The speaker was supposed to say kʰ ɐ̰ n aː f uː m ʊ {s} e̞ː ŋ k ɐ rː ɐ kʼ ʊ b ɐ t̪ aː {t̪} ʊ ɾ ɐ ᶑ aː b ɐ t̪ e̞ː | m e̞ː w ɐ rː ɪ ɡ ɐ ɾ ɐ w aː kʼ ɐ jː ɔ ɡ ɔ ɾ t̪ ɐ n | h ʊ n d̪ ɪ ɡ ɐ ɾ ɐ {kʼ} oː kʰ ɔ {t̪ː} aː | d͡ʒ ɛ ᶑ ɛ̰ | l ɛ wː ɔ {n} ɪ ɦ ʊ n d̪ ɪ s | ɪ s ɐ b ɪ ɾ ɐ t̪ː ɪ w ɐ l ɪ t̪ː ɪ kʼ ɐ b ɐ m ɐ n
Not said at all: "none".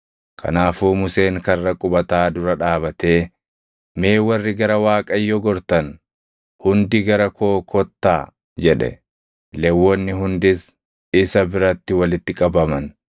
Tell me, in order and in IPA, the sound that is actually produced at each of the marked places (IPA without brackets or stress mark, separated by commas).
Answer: s, d̪, k, t̪ː, nː